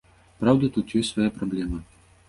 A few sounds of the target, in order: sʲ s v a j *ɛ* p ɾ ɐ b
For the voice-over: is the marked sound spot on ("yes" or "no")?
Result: no